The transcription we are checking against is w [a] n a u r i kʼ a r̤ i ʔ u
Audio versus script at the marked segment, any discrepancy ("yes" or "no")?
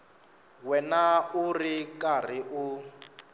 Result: yes